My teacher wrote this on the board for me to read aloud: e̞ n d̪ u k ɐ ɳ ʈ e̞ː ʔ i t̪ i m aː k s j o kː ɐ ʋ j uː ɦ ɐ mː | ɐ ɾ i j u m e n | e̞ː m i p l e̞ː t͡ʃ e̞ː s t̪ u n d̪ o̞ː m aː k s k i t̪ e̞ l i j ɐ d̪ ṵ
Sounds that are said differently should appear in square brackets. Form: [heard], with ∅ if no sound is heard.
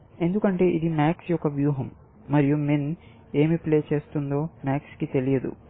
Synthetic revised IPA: e̞ n d̪ u k ɐ ɳ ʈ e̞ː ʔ i [d̪] i m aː k s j [ɔ] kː ɐ ʋ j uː ɦ ɐ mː | ɐ ɾ i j u m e n | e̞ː m i p l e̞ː t͡ʃ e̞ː s t̪ u n d̪ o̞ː m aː k s k i t̪ e̞ l i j ɐ d̪ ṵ